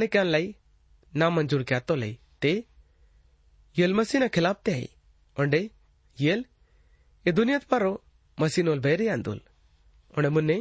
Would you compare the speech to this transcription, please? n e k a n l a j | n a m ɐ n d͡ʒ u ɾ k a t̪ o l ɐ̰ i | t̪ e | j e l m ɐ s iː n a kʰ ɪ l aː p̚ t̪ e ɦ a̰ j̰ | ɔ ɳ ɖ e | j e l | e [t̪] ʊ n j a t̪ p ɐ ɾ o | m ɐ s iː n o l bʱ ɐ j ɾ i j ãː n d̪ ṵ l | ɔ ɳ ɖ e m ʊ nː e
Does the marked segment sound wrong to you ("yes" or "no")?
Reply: yes